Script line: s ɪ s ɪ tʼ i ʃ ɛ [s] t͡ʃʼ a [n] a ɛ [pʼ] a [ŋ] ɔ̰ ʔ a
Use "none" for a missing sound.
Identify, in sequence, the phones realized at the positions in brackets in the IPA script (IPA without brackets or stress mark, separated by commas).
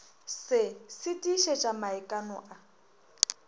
none, m, kʼ, n